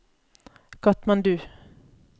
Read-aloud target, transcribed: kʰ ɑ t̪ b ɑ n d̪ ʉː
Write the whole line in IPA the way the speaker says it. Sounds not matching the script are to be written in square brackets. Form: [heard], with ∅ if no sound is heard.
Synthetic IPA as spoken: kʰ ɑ t̪ [m] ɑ n d̪ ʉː